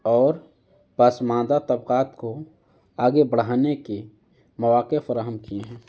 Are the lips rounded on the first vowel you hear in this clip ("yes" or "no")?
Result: yes